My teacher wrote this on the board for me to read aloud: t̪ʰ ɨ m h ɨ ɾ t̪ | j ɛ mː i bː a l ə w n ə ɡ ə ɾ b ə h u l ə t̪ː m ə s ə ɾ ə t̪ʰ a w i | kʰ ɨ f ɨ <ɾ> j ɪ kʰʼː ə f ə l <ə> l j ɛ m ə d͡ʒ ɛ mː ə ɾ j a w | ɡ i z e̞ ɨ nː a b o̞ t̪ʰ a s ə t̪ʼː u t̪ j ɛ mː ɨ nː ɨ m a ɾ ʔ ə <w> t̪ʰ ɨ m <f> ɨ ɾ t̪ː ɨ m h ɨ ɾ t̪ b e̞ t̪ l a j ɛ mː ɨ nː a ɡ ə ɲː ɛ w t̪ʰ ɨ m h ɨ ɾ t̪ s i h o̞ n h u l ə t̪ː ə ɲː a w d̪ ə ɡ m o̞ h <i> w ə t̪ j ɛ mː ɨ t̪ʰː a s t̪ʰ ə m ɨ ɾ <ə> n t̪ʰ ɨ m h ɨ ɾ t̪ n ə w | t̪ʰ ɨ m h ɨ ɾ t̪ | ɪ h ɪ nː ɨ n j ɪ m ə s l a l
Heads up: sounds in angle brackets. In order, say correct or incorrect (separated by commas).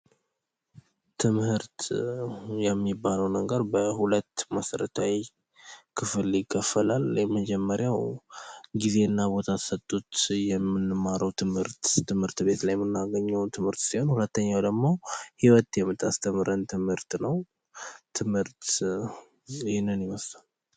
incorrect, incorrect, correct, incorrect, correct, correct